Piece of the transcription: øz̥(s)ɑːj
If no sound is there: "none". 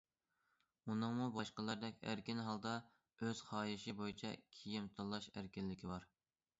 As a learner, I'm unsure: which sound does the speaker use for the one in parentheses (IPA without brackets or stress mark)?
χ